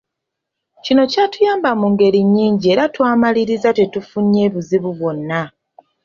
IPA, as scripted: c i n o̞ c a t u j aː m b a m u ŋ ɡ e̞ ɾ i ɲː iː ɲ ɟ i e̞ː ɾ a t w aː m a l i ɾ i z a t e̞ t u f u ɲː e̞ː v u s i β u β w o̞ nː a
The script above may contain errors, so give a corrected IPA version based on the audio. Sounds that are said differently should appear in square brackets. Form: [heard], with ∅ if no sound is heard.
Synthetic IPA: c i n o̞ c a t u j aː m b a m u ŋ ɡ e̞ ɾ i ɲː iː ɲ ɟ i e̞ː ɾ a t w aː m a l i ɾ i z a t e̞ t u f u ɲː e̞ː [β] u [z] i β u β w o̞ nː a